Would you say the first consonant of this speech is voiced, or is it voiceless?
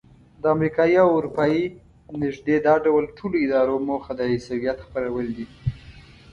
voiced